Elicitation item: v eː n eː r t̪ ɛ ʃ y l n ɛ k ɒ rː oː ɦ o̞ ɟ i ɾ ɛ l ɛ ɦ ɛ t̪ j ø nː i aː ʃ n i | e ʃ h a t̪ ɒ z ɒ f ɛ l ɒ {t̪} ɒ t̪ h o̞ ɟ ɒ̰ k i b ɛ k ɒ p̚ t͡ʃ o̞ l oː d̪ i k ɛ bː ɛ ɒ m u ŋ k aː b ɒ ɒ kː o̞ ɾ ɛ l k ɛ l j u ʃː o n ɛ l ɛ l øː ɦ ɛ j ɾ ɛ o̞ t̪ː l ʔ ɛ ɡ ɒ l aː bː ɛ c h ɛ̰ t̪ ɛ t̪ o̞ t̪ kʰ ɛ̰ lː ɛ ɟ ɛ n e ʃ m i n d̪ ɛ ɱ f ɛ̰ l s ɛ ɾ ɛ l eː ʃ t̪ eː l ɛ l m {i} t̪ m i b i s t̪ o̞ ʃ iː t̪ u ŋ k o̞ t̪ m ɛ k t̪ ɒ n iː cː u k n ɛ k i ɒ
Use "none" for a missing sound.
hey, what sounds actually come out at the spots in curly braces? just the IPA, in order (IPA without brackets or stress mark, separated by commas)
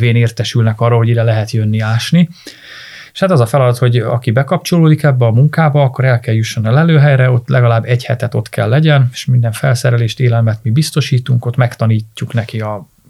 d̪, ɛ